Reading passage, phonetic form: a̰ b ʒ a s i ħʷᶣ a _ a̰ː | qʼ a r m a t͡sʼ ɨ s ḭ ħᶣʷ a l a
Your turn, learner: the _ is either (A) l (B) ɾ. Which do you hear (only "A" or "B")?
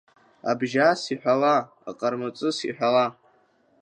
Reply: A